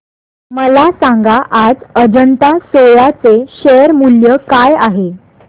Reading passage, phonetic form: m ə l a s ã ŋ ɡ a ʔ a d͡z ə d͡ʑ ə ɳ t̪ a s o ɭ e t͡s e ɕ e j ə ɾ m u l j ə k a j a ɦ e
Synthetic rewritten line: m ə l a s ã ŋ ɡ a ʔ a d͡z ə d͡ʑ ə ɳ t̪ a s o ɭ a t͡s e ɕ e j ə ɾ m u l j ə k a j a ɦ e

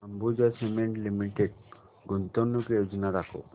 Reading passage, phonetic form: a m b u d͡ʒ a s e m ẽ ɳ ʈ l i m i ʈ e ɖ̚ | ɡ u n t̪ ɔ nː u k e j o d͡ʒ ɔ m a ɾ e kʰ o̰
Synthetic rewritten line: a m b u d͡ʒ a s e m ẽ ɳ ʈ l i m i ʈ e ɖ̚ | ɡ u n t̪ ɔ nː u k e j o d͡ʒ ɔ n a ɾ a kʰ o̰

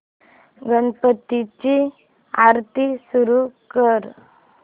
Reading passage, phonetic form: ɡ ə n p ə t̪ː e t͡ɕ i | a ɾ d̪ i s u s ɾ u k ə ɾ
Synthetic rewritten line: ɡ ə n p ə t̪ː i t͡ɕ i | a ɾ t̪ i s u ɾ u k ə ɾ

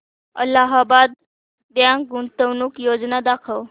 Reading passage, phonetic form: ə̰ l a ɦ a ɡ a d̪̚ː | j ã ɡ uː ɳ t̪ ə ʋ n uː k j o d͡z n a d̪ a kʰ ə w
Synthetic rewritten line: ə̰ l a ɦ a b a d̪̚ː | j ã ɡ u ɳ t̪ ə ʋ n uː k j o d͡z n a d̪ a kʰ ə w

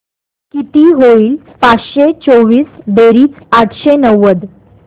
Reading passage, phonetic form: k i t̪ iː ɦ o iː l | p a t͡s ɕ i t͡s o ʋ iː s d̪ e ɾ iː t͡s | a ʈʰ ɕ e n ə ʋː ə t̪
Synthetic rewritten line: k i t̪ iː ɦ o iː l | p a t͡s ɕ e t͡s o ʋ iː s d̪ e ɾ iː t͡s | a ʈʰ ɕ e n ə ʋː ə d̪

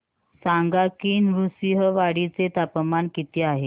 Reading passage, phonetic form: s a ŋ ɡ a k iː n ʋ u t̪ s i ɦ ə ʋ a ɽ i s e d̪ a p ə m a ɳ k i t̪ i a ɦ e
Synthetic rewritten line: s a ŋ ɡ a k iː n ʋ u s i ɦ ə ʋ a ɽ i t͡s e t̪ a p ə m a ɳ k i t̪ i a ɦ e

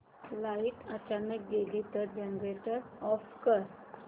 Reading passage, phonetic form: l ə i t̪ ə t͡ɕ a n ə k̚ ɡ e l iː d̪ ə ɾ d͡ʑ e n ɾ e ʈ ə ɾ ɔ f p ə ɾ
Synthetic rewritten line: l a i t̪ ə t͡ɕ a n ə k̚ ɡ e l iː t̪ ə ɾ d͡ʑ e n ɾ e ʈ ə ɾ ɔ f k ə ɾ

